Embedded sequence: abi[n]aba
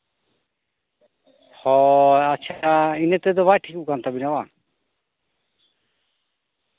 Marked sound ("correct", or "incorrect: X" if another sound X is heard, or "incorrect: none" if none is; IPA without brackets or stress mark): correct